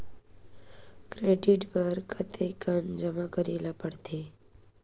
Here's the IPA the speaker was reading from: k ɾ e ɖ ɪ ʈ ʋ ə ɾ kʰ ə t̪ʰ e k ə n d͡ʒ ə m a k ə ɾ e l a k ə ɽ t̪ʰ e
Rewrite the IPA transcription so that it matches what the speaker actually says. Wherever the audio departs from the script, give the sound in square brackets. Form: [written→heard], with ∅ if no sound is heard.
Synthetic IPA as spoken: k ɾ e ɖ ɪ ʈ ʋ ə ɾ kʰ ə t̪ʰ e k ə n d͡ʒ ə m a k ə ɾ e l a [k→p] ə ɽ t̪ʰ e